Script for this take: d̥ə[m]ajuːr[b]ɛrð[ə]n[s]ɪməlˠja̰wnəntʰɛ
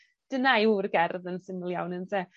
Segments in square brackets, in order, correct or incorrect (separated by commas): incorrect, incorrect, correct, correct